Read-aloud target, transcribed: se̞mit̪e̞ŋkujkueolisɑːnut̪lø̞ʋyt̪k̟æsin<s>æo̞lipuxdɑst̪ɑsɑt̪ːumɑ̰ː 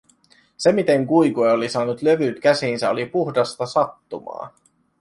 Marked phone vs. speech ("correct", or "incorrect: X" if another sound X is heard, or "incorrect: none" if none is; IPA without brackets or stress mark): correct